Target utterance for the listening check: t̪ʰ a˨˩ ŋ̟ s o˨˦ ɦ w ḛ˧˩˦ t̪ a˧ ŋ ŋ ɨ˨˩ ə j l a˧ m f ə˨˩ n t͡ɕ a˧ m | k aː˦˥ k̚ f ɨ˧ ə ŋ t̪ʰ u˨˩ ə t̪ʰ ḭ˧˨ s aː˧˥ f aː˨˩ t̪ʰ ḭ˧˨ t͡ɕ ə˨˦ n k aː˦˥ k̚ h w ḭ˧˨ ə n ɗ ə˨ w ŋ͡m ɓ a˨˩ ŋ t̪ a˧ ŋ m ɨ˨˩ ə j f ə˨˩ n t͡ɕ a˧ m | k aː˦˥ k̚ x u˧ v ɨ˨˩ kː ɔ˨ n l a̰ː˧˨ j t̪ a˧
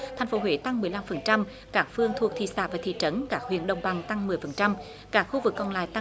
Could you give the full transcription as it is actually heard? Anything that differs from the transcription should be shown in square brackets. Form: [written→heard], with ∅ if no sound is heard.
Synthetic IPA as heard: t̪ʰ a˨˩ ŋ̟ [s→f] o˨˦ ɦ w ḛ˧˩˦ t̪ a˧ ŋ [ŋ→m] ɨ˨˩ ə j l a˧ m f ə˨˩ n t͡ɕ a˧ m | k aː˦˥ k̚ f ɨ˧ ə ŋ t̪ʰ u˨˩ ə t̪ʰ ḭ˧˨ s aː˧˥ [f→v] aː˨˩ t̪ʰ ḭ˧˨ t͡ɕ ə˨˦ n k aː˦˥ k̚ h w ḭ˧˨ ə n ɗ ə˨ w ŋ͡m ɓ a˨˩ ŋ t̪ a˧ ŋ m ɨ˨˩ ə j f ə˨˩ n t͡ɕ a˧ m | k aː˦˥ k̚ x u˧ v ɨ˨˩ kː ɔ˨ n l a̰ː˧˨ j t̪ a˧